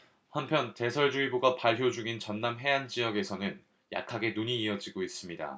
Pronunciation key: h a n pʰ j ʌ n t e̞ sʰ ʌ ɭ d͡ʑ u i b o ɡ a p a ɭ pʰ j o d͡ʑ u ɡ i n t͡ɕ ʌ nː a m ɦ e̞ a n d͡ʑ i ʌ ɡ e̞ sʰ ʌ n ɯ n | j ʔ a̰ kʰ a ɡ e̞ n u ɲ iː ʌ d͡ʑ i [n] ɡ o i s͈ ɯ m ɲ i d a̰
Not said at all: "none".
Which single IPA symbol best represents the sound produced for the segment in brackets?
none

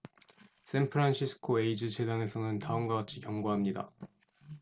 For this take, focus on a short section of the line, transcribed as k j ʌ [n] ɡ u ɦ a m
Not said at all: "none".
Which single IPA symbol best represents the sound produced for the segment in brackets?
ŋ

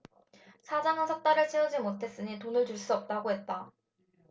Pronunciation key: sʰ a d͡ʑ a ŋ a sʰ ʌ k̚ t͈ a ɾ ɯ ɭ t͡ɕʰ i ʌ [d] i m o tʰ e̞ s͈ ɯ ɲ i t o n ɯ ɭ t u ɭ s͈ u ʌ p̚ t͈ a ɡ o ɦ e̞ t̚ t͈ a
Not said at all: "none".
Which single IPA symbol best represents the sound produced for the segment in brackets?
d͡ʑ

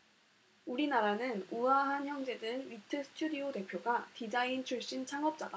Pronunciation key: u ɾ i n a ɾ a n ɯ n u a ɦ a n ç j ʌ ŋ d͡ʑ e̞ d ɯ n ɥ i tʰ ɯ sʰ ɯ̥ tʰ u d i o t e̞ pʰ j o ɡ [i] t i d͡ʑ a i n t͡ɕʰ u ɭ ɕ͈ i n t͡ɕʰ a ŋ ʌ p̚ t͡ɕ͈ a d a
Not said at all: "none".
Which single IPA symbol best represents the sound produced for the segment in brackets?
a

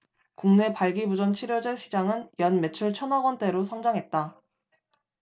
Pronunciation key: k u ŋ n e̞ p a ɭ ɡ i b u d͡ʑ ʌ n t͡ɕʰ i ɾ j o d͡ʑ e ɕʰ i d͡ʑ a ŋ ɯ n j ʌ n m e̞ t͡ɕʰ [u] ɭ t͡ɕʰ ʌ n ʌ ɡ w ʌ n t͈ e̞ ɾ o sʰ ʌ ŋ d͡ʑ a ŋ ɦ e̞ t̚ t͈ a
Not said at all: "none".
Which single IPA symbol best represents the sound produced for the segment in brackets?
u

